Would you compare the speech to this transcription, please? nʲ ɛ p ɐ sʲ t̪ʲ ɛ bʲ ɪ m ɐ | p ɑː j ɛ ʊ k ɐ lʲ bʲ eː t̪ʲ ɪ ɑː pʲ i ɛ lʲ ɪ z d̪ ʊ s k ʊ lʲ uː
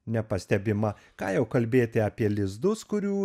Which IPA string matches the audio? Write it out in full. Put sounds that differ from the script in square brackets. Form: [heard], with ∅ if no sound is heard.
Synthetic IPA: nʲ ɛ p ɐ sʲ t̪ʲ ɛ bʲ ɪ m ɐ | [k] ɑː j ɛ ʊ k ɐ lʲ bʲ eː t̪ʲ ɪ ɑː pʲ i ɛ lʲ ɪ z d̪ ʊ s k ʊ [ɾʲ] uː